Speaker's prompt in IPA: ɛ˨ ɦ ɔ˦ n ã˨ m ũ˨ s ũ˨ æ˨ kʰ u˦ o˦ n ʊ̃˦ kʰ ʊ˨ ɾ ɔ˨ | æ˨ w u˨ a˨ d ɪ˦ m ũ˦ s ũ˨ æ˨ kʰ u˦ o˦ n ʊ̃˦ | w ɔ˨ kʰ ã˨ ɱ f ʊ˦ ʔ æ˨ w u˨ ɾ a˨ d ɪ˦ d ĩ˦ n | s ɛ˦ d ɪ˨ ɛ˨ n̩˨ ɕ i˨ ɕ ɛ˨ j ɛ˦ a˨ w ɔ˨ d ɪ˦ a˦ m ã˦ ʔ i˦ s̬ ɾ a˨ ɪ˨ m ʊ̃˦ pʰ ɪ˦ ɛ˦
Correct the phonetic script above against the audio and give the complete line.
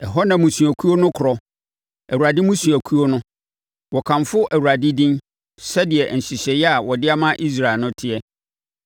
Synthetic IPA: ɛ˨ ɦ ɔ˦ n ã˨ m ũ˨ s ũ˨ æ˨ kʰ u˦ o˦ n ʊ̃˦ kʰ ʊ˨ ɾ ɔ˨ | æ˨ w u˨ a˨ d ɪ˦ m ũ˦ s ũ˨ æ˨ kʰ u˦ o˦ n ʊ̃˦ | w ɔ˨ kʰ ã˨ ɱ f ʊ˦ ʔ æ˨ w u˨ ɾ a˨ d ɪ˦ d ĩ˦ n | s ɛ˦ d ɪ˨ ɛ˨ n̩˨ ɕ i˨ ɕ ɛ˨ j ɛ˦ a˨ w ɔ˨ d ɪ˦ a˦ m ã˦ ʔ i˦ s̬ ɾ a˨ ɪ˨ n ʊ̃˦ tʰ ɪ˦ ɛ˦